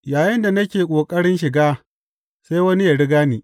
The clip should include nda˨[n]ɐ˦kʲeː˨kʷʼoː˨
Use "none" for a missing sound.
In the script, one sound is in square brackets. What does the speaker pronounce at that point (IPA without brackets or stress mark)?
n